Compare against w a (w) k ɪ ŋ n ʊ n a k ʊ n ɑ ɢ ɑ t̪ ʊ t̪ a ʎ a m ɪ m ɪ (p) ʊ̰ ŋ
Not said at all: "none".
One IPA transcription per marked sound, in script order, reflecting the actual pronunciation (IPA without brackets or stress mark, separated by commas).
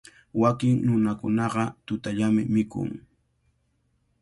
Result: none, k